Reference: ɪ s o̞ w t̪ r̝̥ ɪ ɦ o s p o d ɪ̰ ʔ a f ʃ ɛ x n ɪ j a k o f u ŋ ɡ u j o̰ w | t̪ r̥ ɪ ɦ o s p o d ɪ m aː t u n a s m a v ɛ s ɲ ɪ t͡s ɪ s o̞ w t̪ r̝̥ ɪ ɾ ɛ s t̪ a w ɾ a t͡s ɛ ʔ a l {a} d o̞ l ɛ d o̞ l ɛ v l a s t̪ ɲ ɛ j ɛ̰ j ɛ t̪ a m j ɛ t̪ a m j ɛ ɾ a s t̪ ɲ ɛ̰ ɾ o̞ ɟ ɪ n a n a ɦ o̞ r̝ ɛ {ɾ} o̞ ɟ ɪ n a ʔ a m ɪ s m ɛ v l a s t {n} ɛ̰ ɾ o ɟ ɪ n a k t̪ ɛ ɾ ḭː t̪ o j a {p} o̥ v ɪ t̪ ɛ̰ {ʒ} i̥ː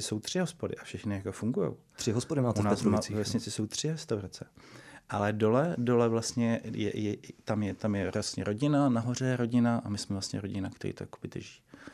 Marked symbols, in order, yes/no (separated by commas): no, yes, no, no, yes